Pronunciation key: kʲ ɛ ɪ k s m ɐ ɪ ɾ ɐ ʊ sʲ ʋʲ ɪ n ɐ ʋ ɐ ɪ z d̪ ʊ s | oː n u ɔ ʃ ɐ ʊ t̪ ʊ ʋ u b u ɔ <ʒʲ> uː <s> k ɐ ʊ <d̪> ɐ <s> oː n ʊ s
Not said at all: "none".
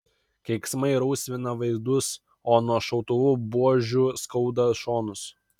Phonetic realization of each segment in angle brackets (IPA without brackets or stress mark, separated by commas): ʒʲ, s, d̪, ʃ